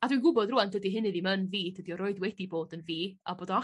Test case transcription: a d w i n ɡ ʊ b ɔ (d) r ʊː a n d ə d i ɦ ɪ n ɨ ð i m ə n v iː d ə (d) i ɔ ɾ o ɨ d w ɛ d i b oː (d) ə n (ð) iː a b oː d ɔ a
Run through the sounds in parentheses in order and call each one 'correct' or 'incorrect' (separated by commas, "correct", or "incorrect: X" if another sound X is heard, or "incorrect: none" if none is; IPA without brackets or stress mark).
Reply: correct, correct, correct, incorrect: v